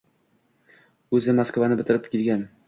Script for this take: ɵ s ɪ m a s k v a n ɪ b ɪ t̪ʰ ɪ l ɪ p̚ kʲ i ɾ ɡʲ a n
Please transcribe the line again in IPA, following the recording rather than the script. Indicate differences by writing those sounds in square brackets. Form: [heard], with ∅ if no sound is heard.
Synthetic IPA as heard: ɵ [z] ɪ m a s k v a n ɪ b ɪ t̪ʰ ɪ [ɾ] ɪ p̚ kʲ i [l] ɡʲ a n